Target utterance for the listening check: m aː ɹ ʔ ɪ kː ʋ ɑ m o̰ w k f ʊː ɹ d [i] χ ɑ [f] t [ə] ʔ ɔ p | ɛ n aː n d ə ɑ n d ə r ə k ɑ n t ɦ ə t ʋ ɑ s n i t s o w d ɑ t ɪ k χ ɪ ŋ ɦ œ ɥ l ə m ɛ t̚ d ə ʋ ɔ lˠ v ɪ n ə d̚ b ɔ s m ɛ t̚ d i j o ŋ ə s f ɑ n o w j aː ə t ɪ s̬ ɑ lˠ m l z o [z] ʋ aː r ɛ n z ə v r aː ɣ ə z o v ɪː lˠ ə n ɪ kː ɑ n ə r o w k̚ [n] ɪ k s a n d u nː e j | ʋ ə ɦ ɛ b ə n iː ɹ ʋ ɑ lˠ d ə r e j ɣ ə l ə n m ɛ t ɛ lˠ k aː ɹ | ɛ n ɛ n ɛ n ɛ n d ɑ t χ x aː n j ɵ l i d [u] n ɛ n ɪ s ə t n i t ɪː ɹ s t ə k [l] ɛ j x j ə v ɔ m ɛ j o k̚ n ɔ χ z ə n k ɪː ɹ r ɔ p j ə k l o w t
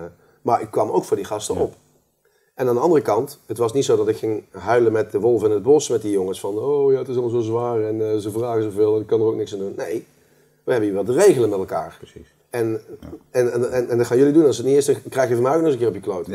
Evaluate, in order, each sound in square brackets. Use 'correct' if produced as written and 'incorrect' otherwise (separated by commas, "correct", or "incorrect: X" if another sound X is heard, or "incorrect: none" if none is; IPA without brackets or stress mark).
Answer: correct, incorrect: s, correct, correct, correct, correct, incorrect: r